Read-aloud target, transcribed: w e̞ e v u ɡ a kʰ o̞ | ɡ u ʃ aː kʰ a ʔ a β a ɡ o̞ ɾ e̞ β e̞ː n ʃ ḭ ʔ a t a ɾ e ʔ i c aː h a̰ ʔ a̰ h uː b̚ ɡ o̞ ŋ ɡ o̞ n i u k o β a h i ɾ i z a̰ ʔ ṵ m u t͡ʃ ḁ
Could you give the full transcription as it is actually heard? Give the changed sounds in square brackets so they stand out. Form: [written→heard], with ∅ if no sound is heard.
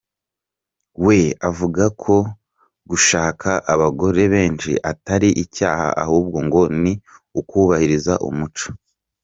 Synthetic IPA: w e̞ [e→a] v u ɡ a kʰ o̞ | ɡ u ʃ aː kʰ a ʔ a β a ɡ o̞ ɾ e̞ β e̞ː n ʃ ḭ ʔ a t a ɾ [e→i] ʔ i c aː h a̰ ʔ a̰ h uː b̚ ɡ o̞ ŋ ɡ o̞ n i u k [o→u] β a h i ɾ i z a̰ ʔ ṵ m u t͡ʃ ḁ